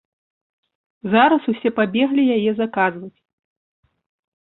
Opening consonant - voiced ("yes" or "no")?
yes